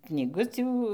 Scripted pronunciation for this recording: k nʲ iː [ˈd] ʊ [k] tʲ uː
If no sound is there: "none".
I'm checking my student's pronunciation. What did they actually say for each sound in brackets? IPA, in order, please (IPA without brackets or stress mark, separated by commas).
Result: ɡ, none